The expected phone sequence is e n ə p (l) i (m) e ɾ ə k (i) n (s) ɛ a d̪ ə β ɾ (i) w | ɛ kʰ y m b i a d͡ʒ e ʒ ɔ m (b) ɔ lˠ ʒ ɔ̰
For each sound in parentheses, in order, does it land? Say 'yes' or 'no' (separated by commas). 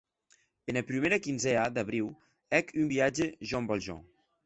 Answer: no, yes, yes, no, yes, yes